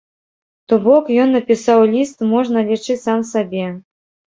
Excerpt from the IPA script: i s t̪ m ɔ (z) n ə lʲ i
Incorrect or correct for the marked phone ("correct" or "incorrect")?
incorrect